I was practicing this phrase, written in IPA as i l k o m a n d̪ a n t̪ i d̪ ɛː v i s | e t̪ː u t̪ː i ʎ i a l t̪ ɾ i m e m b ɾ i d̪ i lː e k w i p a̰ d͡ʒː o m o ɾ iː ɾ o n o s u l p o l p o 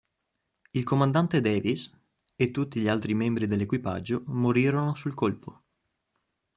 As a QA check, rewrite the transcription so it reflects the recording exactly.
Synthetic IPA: i l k o m a n d̪ a n t̪ e d̪ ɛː v i s | e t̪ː u t̪ː i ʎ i a l t̪ ɾ i m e m b ɾ i d̪ e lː e k w i p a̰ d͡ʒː o m o ɾ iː ɾ o n o s u l k o l p o